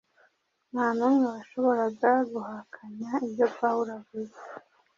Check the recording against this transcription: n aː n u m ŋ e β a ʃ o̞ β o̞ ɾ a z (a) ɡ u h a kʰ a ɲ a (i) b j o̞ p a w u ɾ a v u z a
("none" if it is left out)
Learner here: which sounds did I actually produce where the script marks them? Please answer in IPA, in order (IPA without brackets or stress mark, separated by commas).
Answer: a, i